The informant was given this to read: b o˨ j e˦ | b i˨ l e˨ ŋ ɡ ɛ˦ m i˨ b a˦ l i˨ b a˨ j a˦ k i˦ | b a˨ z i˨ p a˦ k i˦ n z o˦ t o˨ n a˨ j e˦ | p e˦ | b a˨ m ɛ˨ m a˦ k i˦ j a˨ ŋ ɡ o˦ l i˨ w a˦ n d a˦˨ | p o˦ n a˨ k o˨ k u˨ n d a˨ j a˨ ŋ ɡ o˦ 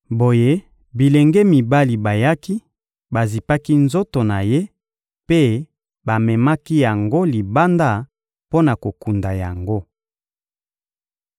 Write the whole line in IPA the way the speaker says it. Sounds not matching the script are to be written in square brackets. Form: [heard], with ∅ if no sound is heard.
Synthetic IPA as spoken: b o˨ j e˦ | b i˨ l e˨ ŋ ɡ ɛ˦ m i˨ b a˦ l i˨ b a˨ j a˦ k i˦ | b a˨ z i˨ p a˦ k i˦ n z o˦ t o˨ n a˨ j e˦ | p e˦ | b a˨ m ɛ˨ m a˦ k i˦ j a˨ ŋ ɡ o˦ l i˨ [b] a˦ n d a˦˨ | p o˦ n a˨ k o˨ k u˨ n d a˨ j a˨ ŋ ɡ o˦